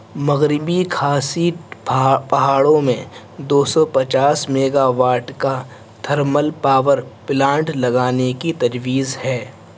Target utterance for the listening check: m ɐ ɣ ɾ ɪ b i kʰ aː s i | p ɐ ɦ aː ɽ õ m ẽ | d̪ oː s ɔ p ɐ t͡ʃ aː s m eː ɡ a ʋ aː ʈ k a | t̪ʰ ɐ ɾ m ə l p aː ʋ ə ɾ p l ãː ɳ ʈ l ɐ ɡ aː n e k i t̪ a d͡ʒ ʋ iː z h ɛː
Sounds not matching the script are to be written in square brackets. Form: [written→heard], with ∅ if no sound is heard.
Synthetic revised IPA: m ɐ ɣ ɾ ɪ b i kʰ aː s i | p ɐ ɦ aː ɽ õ m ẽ | d̪ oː s ɔ p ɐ t͡ʃ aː s m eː ɡ a ʋ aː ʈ k a | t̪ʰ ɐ ɾ m ə l p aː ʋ ə ɾ p l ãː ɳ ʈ l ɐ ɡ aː n e k i t̪ [a→ɐ] d͡ʒ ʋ iː z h ɛː